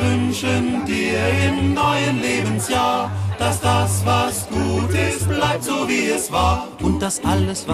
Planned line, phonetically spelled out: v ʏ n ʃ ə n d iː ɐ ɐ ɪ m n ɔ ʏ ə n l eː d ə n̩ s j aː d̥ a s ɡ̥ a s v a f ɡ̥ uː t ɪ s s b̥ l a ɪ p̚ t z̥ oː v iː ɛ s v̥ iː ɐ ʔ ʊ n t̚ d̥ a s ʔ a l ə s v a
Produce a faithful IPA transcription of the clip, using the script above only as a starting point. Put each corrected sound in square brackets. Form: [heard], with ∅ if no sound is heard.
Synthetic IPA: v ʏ n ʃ ə n d iː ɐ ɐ ɪ m n ɔ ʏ ə n l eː [b] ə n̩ s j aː d̥ a s [d̥] a s v a [s] ɡ̥ uː t ɪ s [t] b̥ l a ɪ p̚ t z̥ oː v iː ɛ s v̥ [aː] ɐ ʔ ʊ n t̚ d̥ a s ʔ a l ə s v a